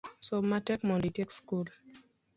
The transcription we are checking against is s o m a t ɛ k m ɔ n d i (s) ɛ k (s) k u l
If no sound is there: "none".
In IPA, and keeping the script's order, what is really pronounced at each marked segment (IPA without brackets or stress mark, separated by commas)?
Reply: t, s